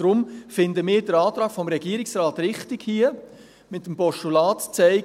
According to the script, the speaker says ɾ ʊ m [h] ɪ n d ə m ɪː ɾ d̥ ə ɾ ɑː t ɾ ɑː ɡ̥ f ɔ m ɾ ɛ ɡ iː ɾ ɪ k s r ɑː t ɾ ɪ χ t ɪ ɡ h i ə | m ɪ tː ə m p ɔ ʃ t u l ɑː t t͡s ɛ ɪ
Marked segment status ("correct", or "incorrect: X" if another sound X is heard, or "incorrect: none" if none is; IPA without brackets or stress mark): incorrect: f